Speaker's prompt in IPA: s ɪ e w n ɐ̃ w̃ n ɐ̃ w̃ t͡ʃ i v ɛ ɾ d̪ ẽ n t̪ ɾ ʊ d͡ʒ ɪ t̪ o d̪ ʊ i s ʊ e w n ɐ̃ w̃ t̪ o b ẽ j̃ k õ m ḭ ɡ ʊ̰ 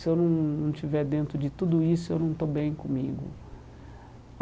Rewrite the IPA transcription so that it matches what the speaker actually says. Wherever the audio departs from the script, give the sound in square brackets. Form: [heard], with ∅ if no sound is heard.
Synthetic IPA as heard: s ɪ e w n ɐ̃ w̃ n ɐ̃ w̃ t͡ʃ i v ɛ ɾ d̪ ẽ n t̪ ɾ ʊ d͡ʒ ɪ t̪ [u] d̪ ʊ i s ʊ e w n ɐ̃ w̃ t̪ o b ẽ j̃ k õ m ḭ ɡ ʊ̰

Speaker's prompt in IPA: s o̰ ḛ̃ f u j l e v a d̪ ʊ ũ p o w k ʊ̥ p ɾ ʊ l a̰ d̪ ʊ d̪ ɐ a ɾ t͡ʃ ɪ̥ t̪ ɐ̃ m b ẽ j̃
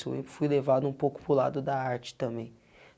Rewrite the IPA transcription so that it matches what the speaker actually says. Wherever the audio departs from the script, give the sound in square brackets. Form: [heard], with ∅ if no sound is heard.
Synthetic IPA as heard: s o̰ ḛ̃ f u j l e v a d̪ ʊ ũ p o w k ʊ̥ p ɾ ʊ l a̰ d̪ ʊ d̪ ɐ a ɾ t͡ʃ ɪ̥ t̪ ɐ̃ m b ẽ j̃

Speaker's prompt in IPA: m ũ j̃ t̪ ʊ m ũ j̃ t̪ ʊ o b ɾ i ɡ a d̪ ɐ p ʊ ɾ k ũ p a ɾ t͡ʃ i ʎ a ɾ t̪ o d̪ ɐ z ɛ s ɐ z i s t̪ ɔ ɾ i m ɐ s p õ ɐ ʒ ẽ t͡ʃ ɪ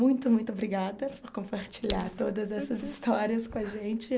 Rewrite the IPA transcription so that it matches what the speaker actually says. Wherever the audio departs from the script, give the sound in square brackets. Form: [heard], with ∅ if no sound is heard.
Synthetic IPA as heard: m ũ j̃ t̪ ʊ m ũ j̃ t̪ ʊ o b ɾ i ɡ a d̪ ɐ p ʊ ɾ k [õ] p a ɾ t͡ʃ i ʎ a ɾ t̪ o d̪ ɐ z ɛ s ɐ z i s t̪ ɔ ɾ i [∅] ɐ s [k] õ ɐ ʒ ẽ t͡ʃ ɪ

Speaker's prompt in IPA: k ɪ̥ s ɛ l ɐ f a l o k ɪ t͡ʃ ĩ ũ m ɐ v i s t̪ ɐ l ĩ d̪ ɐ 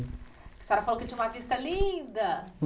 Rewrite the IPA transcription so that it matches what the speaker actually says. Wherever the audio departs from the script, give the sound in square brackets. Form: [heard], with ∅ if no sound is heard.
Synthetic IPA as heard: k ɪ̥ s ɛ [ɾ] ɐ f a l o k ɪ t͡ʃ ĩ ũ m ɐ v i s t̪ ɐ l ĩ d̪ ɐ

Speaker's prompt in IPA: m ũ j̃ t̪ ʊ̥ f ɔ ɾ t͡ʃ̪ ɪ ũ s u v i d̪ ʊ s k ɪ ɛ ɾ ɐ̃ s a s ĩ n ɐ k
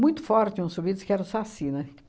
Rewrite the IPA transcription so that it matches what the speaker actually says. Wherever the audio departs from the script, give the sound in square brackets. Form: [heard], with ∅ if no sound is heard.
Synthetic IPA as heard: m ũ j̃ t̪ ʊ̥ f ɔ ɾ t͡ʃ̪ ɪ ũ s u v i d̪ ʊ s k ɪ ɛ ɾ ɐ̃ s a s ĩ n ɐ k

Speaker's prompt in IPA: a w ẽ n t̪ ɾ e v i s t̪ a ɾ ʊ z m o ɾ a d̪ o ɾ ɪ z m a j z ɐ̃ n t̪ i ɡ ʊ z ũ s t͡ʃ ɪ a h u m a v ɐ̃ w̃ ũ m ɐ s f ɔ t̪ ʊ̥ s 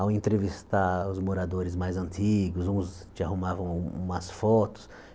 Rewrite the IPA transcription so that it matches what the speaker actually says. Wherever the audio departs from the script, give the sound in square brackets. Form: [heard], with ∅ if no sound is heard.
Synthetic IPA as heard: a w ẽ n t̪ ɾ e v i s t̪ a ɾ ʊ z m o ɾ a d̪ o ɾ ɪ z m a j z ɐ̃ n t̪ i ɡ ʊ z ũ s t͡ʃ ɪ a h u m a v ɐ̃ w̃ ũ m ɐ s f ɔ t̪ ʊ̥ s

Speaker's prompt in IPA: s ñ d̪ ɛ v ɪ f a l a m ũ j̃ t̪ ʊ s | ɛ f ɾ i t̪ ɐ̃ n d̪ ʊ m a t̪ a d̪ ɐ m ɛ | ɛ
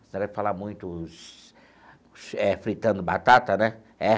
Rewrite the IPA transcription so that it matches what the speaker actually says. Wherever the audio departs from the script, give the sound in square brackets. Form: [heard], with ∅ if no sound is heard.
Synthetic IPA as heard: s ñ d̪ ɛ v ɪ f a l a m ũ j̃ t̪ ʊ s | ɛ f ɾ i t̪ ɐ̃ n d̪ ʊ [b] a t̪ a [t̪] ɐ [n] ɛ | ɛ

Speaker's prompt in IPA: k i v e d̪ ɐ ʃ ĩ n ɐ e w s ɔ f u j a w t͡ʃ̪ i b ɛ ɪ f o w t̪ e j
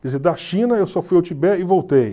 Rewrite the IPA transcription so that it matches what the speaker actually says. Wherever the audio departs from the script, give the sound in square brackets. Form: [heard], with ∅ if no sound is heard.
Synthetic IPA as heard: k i [z] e d̪ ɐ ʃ ĩ n ɐ e w s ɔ f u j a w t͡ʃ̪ i b ɛ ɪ [v] o w t̪ e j

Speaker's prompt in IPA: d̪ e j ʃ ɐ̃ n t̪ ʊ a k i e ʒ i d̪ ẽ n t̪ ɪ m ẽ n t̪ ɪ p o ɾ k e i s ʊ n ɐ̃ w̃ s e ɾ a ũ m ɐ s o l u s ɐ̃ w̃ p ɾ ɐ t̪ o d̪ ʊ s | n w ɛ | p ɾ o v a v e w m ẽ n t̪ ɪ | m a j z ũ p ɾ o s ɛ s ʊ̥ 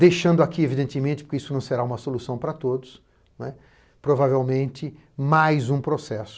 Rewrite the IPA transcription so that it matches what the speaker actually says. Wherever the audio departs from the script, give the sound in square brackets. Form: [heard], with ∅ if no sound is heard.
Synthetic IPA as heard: d̪ e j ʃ ɐ̃ n [d̪] ʊ a k i e [v] i d̪ ẽ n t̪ ɪ m ẽ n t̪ ɪ p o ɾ k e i s ʊ n ɐ̃ w̃ s e ɾ a ũ m ɐ s o l u s ɐ̃ w̃ p ɾ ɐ t̪ o d̪ ʊ s | n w ɛ | p ɾ o v a v e w m ẽ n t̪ ɪ | m a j z ũ p ɾ o s ɛ s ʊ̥

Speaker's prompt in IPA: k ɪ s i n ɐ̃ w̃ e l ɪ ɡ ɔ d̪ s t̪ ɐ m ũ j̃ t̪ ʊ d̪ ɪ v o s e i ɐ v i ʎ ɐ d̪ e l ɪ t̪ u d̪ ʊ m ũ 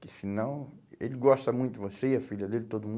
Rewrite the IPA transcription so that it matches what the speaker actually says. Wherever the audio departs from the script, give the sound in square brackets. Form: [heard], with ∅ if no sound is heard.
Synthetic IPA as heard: k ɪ s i n ɐ̃ w̃ e l ɪ ɡ ɔ [∅] s t̪ ɐ m ũ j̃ t̪ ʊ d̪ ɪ v o s e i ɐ [f] i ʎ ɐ d̪ e l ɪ t̪ [o] d̪ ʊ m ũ

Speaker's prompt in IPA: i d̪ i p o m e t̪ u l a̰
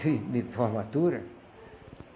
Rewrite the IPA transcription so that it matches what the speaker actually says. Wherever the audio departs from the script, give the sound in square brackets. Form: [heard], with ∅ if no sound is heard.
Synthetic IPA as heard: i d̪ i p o m [a] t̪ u [ɾ] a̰

